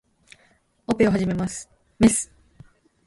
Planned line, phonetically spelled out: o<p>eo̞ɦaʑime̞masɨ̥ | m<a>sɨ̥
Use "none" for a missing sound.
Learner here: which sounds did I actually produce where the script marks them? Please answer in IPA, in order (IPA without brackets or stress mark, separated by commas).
p, e